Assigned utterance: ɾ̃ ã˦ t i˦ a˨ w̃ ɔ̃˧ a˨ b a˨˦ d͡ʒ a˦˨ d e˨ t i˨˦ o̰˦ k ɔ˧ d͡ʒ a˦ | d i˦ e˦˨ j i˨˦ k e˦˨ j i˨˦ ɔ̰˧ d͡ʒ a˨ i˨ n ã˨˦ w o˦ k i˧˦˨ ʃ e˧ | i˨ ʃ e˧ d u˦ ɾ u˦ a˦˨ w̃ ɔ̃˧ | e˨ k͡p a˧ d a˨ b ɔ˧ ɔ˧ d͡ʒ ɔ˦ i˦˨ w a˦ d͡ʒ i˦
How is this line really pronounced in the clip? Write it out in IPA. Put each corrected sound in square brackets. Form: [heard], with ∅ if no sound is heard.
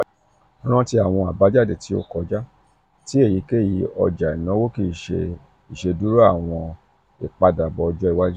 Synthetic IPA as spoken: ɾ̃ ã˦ t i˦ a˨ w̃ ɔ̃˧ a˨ b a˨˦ d͡ʒ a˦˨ d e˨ t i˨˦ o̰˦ k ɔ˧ d͡ʒ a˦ | [t] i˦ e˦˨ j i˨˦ k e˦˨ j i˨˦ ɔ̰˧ d͡ʒ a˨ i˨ n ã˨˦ w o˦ k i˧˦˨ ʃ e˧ | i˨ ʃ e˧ d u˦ ɾ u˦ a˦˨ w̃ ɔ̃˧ | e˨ k͡p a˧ d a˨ b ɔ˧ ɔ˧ d͡ʒ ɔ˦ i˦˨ w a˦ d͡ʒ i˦